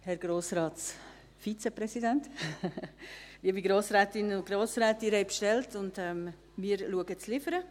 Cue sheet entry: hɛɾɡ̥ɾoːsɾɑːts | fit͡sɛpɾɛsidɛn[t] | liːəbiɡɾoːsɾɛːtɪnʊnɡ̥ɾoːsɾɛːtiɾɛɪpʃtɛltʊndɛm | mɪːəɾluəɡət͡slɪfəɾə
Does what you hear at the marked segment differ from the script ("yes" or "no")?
no